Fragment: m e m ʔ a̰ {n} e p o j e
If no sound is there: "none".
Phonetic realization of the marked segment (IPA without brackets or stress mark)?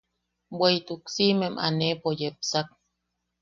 n